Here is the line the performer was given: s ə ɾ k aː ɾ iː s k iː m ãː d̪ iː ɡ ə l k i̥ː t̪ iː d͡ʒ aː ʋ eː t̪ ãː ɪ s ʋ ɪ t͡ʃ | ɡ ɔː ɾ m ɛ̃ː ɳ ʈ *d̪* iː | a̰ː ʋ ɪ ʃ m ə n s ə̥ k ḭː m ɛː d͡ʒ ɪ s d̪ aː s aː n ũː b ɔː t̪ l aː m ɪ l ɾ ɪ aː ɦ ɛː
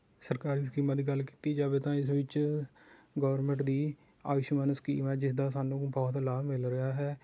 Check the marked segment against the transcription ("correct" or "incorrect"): correct